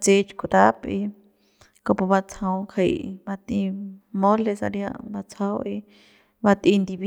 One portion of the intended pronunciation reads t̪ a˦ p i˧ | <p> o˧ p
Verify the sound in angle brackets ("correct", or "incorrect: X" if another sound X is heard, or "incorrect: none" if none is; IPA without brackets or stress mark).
incorrect: k